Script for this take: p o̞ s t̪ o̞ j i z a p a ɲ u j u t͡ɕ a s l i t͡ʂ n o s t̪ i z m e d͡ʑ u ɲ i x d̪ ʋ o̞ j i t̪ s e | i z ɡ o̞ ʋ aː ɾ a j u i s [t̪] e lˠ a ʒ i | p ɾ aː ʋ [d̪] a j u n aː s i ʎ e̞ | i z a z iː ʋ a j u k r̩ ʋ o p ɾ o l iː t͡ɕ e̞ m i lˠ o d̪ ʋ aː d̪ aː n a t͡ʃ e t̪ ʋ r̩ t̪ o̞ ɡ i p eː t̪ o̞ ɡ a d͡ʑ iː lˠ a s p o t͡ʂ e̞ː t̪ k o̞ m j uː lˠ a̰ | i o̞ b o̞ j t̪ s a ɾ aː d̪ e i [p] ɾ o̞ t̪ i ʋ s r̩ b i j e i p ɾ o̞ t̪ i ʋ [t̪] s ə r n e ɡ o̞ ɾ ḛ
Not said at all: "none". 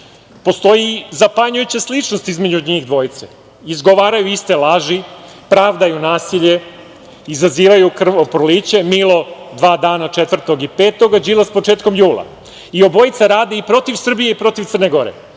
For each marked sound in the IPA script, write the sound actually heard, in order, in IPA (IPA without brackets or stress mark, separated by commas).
t̪, d̪, p, t̪